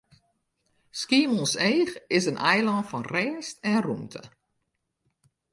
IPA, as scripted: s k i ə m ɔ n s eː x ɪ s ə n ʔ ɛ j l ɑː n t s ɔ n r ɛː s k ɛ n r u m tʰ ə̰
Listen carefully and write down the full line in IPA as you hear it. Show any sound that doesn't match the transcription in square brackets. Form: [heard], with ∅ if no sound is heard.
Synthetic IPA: s k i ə m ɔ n s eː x ɪ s ə n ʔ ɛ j l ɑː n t [f] ɔ n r ɛː s [t] ɛ n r u m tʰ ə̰